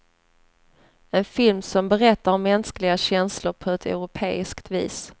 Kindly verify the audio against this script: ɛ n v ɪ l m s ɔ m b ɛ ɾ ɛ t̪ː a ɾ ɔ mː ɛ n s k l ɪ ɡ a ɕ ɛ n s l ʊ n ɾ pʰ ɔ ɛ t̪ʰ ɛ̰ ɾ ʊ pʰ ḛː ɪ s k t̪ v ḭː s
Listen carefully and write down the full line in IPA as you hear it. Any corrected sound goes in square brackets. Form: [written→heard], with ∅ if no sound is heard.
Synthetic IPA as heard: ɛ n [v→f] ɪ l m s ɔ m b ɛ ɾ ɛ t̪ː a ɾ ɔ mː ɛ n s k l ɪ ɡ a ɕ ɛ n s l ʊ [n→∅] ɾ pʰ ɔ ɛ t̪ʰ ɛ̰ ɾ ʊ pʰ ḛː ɪ s k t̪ v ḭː s

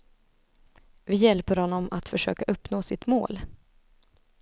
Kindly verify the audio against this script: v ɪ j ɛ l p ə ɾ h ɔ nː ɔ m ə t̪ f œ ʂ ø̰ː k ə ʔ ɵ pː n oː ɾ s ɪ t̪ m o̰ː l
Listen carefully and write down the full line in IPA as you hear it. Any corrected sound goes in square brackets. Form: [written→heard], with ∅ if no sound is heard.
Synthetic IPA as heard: v ɪ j ɛ l p ə ɾ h ɔ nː ɔ m [ə→a] t̪ f œ ʂ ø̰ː k [ə→a] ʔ ɵ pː n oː [ɾ→∅] s ɪ t̪ m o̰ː l

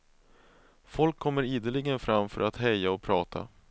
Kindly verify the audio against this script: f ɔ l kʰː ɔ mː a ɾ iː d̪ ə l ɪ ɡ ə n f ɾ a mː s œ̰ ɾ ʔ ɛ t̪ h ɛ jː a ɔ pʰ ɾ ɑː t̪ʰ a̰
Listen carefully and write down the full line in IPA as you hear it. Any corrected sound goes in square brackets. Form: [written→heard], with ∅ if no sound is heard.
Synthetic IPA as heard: f ɔ l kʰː ɔ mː [a→ə] ɾ iː d̪ ə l ɪ ɡ ə n f ɾ a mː [s→f] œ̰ ɾ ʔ [ɛ→a] t̪ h ɛ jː a ɔ pʰ ɾ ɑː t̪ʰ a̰

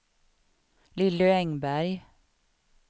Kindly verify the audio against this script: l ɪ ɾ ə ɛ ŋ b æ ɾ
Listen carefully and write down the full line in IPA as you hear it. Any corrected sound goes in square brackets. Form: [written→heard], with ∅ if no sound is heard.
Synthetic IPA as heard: l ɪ [ɾ→l] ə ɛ ŋ b æ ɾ

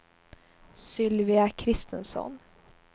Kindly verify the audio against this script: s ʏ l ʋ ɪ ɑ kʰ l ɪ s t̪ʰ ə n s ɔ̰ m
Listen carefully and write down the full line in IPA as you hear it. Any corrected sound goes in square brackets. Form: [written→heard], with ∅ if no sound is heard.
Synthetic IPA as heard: s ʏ l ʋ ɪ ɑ kʰ [l→ɾ] ɪ s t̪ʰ ə n s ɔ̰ [m→n]

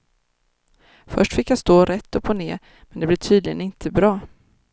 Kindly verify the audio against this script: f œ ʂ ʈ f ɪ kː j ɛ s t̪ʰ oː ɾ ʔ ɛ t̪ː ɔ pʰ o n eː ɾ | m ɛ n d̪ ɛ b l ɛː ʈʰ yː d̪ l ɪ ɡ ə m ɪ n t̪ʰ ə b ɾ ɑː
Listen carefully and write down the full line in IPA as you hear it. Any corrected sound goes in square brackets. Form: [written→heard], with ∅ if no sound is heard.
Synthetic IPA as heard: f œ ʂ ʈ f ɪ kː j [ɛ→a] s [t̪ʰ→t̪] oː ɾ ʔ ɛ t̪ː ɔ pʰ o n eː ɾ | m ɛ n d̪ ɛ b l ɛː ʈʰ yː d̪ l ɪ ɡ ə [m→n] ɪ n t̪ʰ ə b ɾ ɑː

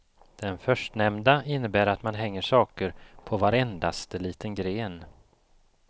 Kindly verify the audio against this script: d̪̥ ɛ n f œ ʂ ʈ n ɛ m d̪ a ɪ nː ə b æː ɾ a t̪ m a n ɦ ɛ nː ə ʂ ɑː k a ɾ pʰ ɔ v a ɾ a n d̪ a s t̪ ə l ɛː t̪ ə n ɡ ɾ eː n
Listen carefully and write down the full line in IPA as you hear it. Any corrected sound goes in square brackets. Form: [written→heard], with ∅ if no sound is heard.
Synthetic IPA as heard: d̪̥ ɛ n f œ ʂ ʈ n ɛ m d̪ a ɪ nː ə b æː ɾ a t̪ m a n ɦ ɛ [nː→ŋː] ə ʂ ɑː k [a→ə] ɾ pʰ ɔ v a ɾ [a→ɛ] n d̪ a s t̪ ə l [ɛː→iː] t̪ ə n ɡ ɾ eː n

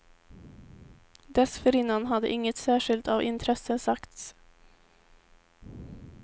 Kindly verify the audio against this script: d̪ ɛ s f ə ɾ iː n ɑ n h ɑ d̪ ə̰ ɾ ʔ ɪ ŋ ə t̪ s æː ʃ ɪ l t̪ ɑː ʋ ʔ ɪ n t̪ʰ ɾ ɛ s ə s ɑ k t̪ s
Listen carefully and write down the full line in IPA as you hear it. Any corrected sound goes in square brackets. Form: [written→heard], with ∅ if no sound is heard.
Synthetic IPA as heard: d̪ ɛ s f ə ɾ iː n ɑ n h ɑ d̪ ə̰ [ɾ→∅] ʔ ɪ ŋ ə t̪ s æː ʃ ɪ l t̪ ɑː ʋ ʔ ɪ n t̪ʰ ɾ ɛ s ə s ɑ k t̪ s

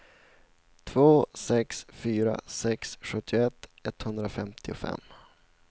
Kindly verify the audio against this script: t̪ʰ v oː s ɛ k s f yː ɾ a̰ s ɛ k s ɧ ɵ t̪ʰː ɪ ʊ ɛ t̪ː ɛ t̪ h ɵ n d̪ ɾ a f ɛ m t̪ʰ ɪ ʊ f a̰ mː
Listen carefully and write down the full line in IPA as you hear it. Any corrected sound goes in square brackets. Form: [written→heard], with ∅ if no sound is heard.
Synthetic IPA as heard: t̪ʰ v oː s ɛ k s f yː ɾ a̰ s ɛ k s ɧ ɵ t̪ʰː ɪ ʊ ɛ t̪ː ɛ t̪ h ɵ n d̪ ɾ a f ɛ m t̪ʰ ɪ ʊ f [a̰→ɛ̰] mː

